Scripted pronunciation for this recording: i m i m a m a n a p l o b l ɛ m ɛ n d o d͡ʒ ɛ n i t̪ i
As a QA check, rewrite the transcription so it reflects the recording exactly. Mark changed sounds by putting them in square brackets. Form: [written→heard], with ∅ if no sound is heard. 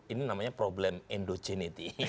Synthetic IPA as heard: i [m→n] i [m→n] a m a [n→ɲ] a p [l→ɾ] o b l ɛ m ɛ n d o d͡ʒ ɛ n i t̪ i

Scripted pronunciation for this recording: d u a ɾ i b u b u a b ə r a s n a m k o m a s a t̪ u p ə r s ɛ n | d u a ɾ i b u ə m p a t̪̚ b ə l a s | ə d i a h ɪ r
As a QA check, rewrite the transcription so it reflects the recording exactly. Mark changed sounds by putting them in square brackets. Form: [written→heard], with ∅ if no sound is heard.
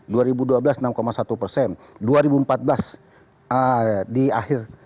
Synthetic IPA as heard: d u a ɾ i b u [b→d] u a b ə [r→l] a s n a m k o m a s a t̪ u p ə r s ɛ n | d u a ɾ i b u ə m p a t̪̚ b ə l a s | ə d i a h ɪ r

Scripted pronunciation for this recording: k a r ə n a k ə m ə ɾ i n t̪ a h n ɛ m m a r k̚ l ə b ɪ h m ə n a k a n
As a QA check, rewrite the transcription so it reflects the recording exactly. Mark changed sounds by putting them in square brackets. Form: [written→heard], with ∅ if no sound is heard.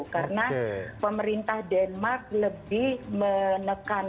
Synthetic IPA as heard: k a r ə n a [k→p] ə m ə ɾ i n t̪ a h [n→d] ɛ [m→n] m a r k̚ l ə b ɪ h m ə n [a→ə] k a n

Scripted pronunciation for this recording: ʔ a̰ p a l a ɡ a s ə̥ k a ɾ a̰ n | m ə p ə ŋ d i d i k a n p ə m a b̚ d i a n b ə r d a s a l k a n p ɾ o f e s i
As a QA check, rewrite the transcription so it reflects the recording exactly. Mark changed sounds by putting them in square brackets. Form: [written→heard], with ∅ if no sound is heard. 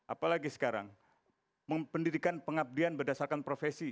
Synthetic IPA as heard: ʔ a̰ p a l a ɡ [a→i] s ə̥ k a ɾ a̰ [n→ŋ] | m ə p ə [ŋ→n] d i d i k a n p ə [m→ŋ] a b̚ d i a n b ə r d a s a [l→r] k a n p ɾ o f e s i

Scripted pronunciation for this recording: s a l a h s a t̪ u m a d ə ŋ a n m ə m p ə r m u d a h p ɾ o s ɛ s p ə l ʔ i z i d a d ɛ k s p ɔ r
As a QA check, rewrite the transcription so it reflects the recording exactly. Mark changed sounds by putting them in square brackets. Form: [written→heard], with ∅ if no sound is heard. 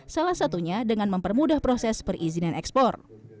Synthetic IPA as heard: s a l a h s a t̪ u [m→ɲ] a d ə ŋ a n m ə m p ə r m u d a h p ɾ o s ɛ s p ə [l→r] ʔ i z i [d→n] a [d→n] ɛ k s p ɔ r

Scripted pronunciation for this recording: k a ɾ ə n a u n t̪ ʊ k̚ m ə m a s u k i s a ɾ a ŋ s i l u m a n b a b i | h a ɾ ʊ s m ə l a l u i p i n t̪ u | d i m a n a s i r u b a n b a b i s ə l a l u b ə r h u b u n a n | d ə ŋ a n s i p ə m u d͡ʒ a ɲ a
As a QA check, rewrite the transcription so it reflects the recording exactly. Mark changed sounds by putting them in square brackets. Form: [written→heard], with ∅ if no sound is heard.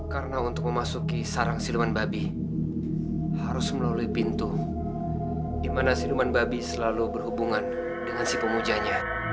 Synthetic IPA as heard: k a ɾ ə n a u n t̪ ʊ k̚ m ə m a s u k i s a ɾ a ŋ s i l u m a n b a b i | h a ɾ ʊ s m ə l a l u i p i n t̪ u | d i m a n a s i [r→l] u [b→m] a n b a b i s ə l a l u b ə r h u b u [n→ŋ] a n | d ə ŋ a n s i p ə m u d͡ʒ a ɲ a

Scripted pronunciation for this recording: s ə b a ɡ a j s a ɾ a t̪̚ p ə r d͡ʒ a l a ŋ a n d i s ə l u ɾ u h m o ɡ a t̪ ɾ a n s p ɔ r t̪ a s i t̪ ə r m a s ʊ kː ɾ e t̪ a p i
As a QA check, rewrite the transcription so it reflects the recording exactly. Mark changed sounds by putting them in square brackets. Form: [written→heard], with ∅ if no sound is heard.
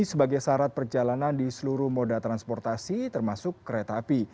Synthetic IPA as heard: s ə b a ɡ a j s a ɾ a t̪̚ p ə r d͡ʒ a l a [ŋ→n] a n d i s ə l u ɾ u h m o [ɡ→d] a t̪ ɾ a n s p ɔ r t̪ a s i t̪ ə r m a s ʊ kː ɾ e t̪ a p i

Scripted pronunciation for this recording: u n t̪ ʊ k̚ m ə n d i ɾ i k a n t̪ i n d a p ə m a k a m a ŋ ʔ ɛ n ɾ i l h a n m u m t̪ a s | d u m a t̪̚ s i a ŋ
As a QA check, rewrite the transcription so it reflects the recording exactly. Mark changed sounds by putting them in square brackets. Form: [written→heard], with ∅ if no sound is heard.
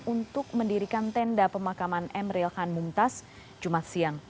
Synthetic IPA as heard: u n t̪ ʊ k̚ m ə n d i ɾ i k a n t̪ [i→ɛ] n d a p ə m a k a m a [ŋ→n] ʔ ɛ [n→m] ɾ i l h a n m u m t̪ a s | [d→d͡ʒ] u m a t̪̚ s i a ŋ

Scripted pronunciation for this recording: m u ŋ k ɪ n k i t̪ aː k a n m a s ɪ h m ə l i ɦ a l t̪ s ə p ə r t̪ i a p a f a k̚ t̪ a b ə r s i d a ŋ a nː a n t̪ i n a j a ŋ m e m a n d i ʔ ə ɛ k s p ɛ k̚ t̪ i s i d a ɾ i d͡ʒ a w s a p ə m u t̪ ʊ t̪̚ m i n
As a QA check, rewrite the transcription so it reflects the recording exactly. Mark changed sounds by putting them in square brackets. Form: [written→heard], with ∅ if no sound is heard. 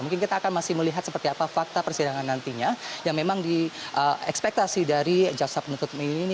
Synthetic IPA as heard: m u ŋ k ɪ n k i t̪ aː k a n m a s ɪ h m ə l i ɦ a [l→∅] t̪ s ə p ə r t̪ i a p a f a k̚ t̪ a [b→p] ə r s i d a ŋ a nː a n t̪ i [n→ɲ] a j a ŋ m e m a [n→ŋ] d i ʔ ə ɛ k s p ɛ k̚ t̪ [i→a] s i d a ɾ i d͡ʒ a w s a p ə [m→n] u t̪ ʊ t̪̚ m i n

